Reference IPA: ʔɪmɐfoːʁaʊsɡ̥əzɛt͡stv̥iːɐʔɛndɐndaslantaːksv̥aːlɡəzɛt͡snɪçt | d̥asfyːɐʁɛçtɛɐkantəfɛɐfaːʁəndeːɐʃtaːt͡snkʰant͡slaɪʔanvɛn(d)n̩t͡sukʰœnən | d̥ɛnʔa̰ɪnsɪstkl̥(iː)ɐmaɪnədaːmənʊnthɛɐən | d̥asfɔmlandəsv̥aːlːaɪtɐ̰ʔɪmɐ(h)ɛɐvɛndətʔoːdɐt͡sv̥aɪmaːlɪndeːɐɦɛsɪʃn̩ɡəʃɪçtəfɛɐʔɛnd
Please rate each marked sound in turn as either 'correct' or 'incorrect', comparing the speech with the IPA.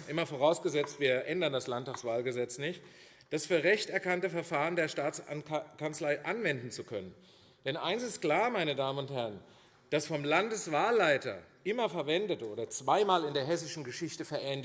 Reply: correct, incorrect: aː, incorrect: f

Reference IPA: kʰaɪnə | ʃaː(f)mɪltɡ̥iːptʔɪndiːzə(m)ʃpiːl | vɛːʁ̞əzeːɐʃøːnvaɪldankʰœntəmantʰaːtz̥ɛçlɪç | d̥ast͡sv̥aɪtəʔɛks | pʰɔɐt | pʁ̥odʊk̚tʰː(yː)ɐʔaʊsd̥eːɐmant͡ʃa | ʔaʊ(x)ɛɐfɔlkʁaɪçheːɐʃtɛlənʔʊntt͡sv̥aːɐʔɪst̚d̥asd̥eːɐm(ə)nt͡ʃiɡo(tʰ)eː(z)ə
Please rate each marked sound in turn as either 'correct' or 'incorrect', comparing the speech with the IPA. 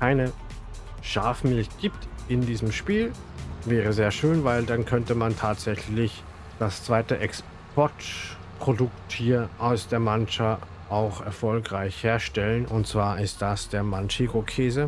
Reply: correct, correct, incorrect: iː, correct, incorrect: a, incorrect: kʰ, correct

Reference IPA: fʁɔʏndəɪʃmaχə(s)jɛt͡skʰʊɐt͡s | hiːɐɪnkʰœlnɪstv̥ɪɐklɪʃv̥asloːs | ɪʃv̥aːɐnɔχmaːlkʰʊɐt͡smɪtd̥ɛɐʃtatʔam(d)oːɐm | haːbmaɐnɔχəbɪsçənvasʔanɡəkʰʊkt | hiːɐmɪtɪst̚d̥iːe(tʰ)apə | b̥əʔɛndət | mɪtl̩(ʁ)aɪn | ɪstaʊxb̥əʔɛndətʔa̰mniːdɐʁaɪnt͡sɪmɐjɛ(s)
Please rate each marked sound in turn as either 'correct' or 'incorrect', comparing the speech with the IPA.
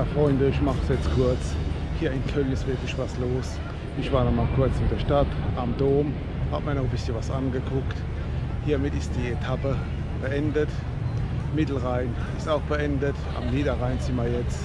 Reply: correct, correct, correct, correct, incorrect: t͡s

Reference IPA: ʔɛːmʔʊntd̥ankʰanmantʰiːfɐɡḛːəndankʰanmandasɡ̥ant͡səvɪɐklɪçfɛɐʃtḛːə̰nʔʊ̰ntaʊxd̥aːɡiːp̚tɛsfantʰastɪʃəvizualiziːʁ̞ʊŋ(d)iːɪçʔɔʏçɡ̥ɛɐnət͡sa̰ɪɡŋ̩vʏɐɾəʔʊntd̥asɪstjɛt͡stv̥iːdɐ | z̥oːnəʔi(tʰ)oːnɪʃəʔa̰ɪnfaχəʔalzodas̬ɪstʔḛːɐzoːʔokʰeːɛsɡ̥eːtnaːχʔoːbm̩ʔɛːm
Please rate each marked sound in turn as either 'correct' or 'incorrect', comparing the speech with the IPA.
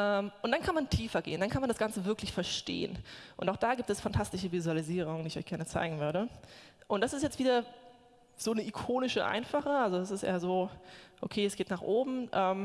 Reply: correct, incorrect: kʰ

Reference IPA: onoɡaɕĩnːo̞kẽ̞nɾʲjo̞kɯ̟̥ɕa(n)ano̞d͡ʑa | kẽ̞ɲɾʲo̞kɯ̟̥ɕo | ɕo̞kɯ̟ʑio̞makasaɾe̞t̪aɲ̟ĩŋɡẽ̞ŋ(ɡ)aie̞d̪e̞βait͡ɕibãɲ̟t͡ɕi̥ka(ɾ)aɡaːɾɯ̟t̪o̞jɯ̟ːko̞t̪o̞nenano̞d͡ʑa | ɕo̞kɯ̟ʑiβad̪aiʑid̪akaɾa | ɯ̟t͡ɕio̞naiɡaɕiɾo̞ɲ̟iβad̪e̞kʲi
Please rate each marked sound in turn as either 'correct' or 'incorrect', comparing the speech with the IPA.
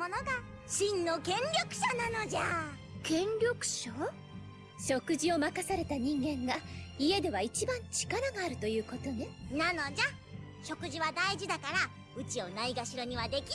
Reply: correct, correct, correct

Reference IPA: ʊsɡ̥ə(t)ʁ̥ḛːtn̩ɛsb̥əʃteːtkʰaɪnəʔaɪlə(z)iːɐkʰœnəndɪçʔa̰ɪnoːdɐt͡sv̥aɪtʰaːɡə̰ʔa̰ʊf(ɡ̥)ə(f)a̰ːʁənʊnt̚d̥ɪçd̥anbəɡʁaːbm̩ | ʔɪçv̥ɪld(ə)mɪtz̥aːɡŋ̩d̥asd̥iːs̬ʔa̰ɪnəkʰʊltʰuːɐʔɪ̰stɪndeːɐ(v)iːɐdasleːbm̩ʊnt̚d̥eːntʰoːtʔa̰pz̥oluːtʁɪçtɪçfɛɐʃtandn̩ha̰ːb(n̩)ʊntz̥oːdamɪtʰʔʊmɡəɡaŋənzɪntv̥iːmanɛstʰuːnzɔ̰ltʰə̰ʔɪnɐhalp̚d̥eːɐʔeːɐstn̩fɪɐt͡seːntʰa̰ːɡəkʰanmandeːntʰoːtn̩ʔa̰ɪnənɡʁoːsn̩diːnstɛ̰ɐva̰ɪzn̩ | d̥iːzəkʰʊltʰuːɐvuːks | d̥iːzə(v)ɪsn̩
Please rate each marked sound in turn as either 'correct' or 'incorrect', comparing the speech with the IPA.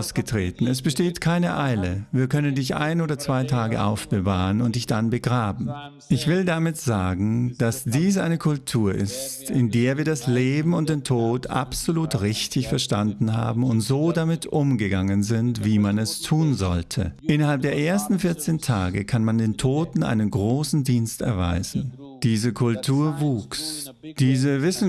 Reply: correct, incorrect: v, incorrect: b̥, incorrect: v, incorrect: a, correct, incorrect: m̩, correct

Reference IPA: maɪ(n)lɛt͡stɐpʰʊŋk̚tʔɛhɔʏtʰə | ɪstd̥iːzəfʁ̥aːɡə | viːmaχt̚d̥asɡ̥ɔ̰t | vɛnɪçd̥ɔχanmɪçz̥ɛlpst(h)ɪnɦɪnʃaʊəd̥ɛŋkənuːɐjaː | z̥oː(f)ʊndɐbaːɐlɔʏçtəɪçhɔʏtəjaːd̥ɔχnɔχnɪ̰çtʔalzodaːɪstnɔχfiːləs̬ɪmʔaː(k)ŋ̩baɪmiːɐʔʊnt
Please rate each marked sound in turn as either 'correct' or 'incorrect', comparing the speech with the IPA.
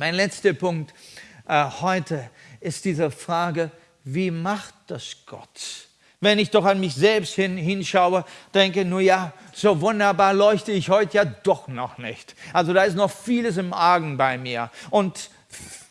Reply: correct, correct, incorrect: v, incorrect: ɡ

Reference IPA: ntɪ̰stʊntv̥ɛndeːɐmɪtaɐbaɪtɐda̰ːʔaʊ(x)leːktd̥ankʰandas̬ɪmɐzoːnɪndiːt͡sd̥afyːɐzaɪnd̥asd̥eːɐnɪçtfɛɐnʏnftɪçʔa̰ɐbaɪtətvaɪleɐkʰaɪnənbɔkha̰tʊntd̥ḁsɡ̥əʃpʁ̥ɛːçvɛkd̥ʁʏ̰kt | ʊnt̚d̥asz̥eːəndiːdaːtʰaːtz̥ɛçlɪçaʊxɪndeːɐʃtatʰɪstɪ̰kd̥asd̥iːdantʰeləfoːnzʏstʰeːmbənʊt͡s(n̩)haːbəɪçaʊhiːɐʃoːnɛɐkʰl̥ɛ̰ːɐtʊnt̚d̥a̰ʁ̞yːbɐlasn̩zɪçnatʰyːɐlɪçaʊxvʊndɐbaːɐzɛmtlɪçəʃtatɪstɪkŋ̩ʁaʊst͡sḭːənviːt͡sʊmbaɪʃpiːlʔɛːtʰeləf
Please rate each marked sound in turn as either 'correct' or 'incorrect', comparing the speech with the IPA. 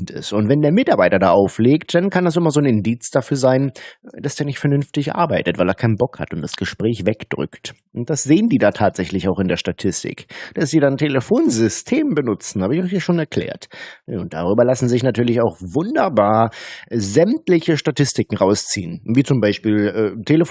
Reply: incorrect: f, correct

